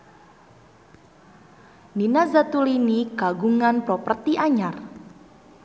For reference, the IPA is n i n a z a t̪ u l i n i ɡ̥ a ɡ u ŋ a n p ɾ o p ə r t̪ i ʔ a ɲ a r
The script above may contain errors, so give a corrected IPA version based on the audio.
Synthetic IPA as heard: n i n a z a t̪ u l i n i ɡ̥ a ɡ u ŋ a n p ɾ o p ə r t̪ i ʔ a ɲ a r